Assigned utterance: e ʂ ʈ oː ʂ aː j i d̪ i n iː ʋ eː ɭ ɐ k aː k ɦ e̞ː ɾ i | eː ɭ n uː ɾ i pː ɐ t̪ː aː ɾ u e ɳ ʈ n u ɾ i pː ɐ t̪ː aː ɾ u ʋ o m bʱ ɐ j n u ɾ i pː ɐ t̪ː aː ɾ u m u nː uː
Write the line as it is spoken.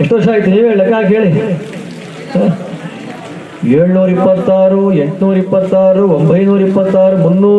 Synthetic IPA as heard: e ʂ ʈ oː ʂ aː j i t̪ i n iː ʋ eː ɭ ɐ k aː k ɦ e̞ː ɭ i | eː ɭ n uː ɾ i pː ɐ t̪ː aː ɾ u e ɳ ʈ n uː ɾ i pː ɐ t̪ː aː ɾ u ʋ o m bʱ ɐ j n uː ɾ i pː ɐ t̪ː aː ɾ u m u nː uː